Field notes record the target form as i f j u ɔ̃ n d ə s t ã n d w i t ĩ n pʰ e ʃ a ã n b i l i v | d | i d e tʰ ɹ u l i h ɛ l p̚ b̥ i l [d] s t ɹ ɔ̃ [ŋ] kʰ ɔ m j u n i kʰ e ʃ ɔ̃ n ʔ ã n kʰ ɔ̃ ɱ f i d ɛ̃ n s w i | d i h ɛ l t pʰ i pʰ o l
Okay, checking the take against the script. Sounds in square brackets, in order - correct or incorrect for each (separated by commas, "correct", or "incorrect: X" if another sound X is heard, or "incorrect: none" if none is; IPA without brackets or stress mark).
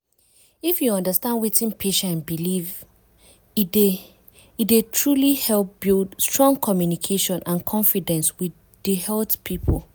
correct, correct